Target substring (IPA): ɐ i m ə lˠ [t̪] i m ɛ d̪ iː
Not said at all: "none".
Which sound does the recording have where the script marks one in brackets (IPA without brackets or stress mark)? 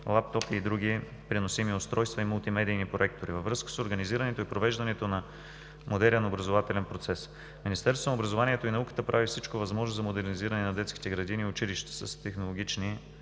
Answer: t̪